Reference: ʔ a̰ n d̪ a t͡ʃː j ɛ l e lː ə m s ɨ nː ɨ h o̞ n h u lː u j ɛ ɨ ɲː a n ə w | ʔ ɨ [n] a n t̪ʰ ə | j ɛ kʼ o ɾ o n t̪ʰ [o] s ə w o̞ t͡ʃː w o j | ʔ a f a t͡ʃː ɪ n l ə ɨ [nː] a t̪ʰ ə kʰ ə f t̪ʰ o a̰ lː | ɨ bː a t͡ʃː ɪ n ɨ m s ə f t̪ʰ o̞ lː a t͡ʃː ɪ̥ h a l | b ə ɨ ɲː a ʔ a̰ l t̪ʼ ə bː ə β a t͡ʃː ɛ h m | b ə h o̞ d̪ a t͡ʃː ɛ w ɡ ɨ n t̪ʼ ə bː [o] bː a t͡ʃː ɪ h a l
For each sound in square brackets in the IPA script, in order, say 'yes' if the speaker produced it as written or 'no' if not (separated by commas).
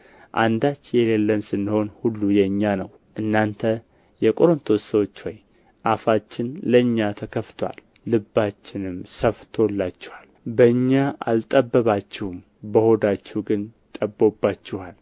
no, yes, no, yes